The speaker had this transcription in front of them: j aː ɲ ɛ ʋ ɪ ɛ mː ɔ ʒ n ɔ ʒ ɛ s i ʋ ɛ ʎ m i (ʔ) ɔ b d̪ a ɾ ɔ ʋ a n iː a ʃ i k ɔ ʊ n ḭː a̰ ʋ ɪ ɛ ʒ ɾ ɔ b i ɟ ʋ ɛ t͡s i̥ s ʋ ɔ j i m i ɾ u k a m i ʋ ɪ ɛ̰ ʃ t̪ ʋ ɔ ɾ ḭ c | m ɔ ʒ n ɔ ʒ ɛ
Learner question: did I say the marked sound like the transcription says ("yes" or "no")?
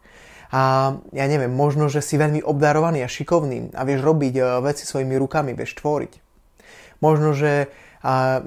yes